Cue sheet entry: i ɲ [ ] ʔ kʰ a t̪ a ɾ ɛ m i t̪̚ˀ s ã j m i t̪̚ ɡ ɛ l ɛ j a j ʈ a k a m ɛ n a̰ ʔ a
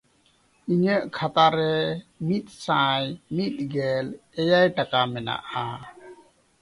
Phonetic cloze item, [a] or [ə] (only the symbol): ə